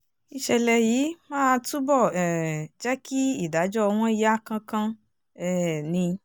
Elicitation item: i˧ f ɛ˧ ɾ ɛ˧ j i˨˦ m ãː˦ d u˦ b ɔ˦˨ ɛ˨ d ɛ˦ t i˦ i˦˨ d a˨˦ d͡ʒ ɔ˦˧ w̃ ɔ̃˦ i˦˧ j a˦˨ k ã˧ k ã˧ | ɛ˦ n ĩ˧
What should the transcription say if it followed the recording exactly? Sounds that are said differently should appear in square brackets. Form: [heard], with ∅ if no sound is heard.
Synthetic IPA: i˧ [ʃ] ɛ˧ [l] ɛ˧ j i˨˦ m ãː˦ [t] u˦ b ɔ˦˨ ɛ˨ [d͡ʒ] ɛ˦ [k] i˦ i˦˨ d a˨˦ d͡ʒ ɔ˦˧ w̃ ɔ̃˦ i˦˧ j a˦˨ k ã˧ k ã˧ | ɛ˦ n ĩ˧

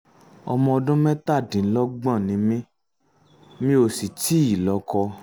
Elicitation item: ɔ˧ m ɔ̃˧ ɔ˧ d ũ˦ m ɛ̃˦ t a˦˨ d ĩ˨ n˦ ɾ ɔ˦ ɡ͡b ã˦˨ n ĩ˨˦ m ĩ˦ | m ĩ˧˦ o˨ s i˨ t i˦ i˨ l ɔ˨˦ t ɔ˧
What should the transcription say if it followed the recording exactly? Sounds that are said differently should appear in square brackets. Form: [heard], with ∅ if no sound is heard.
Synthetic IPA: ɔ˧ m ɔ̃˧ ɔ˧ d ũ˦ m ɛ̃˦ t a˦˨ d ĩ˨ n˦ [l] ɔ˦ ɡ͡b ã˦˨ n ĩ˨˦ m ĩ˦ | m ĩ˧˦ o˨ s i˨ t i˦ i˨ l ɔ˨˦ [k] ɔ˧

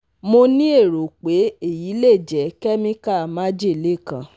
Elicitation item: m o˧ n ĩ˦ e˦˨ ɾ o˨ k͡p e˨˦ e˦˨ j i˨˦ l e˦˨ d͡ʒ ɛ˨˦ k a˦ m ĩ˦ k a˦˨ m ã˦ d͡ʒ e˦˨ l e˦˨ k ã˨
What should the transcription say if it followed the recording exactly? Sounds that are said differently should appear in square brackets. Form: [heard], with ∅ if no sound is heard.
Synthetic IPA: m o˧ n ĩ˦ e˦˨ ɾ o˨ k͡p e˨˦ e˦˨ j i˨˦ l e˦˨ d͡ʒ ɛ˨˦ k [ɛ˦] m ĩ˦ k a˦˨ m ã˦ d͡ʒ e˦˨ l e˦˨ k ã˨

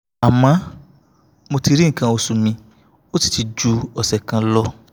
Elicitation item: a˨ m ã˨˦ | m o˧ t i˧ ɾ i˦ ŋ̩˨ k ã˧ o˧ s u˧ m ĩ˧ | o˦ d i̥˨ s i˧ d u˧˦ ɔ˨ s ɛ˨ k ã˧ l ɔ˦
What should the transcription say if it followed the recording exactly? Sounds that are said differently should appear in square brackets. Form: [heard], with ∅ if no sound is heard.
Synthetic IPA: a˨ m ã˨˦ | m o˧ t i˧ ɾ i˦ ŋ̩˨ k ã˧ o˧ s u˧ m ĩ˧ | o˦ [t] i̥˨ [t] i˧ [d͡ʒ] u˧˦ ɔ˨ s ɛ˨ k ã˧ l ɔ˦

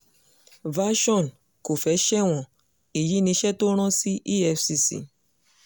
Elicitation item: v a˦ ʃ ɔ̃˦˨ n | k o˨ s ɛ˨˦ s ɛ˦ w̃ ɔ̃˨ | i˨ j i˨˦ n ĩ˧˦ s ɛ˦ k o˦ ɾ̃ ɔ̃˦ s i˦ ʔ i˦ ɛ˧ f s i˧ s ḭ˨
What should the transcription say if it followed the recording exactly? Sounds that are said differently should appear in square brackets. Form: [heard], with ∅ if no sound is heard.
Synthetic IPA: v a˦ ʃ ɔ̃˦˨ n | k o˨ [f] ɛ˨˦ [ʃ] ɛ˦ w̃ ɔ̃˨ | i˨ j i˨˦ n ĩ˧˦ [ʃ] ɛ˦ [t] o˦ ɾ̃ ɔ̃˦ s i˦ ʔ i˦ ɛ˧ f s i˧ s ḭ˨

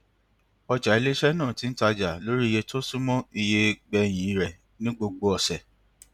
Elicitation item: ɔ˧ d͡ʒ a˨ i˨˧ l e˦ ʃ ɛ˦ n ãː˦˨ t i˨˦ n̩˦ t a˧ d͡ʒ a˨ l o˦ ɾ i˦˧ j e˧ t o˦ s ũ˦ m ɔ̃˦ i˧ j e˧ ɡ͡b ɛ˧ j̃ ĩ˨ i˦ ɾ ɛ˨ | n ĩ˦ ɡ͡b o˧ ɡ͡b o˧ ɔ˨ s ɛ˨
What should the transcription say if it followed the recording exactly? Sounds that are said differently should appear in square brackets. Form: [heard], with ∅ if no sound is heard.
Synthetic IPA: ɔ˧ d͡ʒ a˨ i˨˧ l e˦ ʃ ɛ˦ n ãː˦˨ t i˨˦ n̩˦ t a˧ d͡ʒ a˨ l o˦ ɾ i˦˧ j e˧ t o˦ s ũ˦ m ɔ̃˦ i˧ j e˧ ɡ͡b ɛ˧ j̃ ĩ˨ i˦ ɾ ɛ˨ | n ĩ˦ ɡ͡b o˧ ɡ͡b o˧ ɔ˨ s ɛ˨

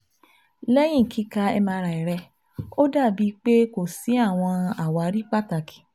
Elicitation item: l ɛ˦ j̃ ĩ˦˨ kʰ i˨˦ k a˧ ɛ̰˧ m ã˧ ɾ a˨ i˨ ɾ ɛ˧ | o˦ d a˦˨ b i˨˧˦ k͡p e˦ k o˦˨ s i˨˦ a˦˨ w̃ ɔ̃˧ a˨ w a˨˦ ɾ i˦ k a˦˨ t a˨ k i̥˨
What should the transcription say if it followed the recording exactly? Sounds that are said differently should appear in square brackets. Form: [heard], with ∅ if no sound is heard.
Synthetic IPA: l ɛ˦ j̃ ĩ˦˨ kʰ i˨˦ k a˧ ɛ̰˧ m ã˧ ɾ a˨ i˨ ɾ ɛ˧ | o˦ d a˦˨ b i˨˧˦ k͡p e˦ k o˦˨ s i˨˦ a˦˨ w̃ ɔ̃˧ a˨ w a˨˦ ɾ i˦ [k͡p] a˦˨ t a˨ k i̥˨

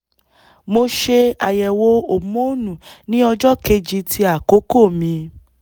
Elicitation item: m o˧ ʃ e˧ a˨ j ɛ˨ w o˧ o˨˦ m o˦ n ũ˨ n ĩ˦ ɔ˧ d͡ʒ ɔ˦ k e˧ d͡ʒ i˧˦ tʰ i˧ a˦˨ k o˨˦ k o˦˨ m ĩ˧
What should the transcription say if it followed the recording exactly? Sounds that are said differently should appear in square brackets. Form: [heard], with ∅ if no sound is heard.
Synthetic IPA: m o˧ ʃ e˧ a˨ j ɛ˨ w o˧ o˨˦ m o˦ n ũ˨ n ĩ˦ ɔ˧ d͡ʒ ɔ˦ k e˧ d͡ʒ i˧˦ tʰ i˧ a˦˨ k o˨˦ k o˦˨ m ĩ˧

